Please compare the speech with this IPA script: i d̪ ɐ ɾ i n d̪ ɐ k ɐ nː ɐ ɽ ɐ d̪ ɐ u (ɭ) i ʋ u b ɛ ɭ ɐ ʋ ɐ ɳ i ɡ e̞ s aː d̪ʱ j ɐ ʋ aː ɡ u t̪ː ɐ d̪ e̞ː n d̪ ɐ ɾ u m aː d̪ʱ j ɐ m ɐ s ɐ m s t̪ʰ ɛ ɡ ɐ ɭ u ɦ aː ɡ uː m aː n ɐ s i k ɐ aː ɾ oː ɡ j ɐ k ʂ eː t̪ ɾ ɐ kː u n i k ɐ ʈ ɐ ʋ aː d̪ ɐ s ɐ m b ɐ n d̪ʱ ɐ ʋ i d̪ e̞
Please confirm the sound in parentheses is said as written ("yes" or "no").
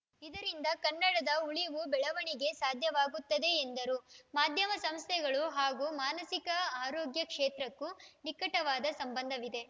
yes